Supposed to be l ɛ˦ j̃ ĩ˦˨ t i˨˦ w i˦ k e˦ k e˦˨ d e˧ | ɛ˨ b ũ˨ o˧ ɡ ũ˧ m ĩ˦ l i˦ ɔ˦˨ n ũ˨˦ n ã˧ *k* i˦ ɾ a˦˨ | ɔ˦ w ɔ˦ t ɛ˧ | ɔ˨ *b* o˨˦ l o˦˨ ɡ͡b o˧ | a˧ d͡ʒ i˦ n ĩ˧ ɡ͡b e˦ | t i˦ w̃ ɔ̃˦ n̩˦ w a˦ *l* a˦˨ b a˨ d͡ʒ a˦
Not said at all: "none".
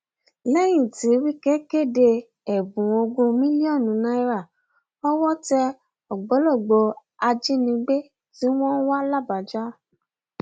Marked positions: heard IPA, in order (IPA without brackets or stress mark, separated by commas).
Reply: none, ɡ͡b, l